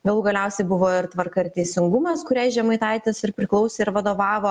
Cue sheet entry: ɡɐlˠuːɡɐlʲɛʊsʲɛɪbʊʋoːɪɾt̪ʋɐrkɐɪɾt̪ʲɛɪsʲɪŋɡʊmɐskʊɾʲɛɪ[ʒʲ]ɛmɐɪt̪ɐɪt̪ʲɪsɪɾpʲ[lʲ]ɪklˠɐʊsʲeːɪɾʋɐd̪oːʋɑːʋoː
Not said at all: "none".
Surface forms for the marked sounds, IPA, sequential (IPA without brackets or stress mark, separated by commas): ʒʲ, ɾʲ